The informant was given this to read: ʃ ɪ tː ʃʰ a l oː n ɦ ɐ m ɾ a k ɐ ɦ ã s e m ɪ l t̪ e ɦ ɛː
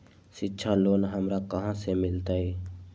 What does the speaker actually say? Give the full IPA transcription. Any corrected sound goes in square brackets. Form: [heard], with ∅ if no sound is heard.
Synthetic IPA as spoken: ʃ ɪ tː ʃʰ a l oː n ɦ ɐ m ɾ a k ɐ ɦ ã s e m ɪ l t̪ [a] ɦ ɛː